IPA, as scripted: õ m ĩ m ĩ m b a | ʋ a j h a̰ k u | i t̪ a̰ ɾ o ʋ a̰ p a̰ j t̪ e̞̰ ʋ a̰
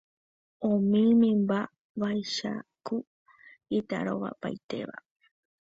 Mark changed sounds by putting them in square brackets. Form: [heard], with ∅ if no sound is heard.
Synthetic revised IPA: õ m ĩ m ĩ m b a | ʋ a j [ʃ] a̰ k u | i t̪ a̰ ɾ o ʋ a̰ p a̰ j t̪ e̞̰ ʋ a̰